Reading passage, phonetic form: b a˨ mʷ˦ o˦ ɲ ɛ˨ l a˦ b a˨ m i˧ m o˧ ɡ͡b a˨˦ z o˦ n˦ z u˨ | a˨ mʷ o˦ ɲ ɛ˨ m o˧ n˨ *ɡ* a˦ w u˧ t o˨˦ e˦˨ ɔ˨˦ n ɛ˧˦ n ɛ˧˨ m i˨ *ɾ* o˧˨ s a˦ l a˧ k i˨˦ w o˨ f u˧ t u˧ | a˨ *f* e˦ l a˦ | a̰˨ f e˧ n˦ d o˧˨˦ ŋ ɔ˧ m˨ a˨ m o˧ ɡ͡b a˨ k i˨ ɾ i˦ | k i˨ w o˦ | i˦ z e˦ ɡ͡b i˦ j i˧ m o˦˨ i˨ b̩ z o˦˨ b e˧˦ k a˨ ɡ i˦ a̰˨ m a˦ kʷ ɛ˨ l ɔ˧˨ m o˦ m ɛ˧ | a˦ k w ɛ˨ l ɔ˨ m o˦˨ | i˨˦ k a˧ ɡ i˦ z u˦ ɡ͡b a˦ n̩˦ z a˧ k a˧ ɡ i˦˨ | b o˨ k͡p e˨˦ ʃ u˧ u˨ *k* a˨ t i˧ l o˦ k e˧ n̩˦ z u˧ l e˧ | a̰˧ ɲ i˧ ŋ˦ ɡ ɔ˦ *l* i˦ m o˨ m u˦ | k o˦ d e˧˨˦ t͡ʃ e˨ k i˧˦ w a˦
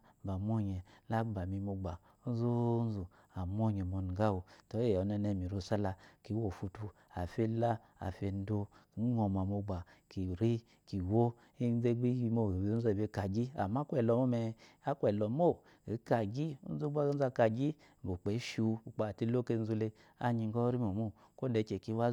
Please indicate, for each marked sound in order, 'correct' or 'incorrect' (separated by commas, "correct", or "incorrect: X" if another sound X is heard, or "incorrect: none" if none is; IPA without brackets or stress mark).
correct, correct, correct, incorrect: k͡p, incorrect: ɾ